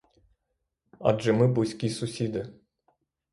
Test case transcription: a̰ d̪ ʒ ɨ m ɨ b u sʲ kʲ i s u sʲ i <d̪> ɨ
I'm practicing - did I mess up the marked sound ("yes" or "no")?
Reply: no